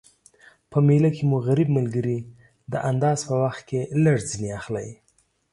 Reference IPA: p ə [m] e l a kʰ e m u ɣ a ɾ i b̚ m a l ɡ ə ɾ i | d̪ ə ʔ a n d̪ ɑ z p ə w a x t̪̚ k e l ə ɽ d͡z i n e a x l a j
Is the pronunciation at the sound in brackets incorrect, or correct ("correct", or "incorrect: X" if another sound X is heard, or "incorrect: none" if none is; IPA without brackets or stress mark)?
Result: correct